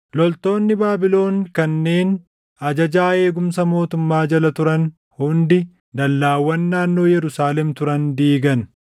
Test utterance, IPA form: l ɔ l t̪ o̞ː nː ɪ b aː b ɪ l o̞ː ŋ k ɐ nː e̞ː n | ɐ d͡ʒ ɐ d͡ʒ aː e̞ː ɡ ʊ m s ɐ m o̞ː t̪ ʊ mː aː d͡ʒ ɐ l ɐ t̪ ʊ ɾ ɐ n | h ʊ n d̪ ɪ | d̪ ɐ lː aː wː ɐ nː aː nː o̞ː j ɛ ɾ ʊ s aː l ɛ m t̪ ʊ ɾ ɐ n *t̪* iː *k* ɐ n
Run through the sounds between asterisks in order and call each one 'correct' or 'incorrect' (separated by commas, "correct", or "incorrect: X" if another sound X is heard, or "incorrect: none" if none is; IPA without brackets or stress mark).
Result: incorrect: d̪, incorrect: ɡ